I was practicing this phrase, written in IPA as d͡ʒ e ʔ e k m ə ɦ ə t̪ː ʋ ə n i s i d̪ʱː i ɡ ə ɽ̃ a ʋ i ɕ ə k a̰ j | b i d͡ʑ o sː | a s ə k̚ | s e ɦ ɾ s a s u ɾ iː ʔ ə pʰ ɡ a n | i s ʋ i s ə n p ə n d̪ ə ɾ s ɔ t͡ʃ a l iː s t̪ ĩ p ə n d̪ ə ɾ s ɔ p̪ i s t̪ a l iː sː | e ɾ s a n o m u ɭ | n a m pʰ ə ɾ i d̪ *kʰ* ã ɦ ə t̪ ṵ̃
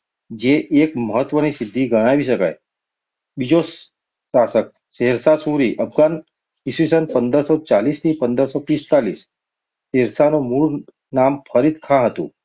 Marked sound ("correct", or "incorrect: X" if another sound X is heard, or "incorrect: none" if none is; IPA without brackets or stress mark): correct